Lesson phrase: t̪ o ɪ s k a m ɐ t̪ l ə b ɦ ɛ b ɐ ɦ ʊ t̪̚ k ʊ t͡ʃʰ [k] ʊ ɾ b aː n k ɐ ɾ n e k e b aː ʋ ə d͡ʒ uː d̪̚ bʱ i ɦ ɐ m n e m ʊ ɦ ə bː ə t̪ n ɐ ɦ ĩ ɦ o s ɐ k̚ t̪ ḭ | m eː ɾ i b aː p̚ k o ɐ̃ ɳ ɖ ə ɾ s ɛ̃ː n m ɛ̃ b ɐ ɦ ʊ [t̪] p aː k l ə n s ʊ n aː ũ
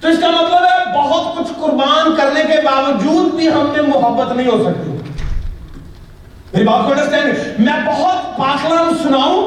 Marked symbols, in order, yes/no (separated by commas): yes, yes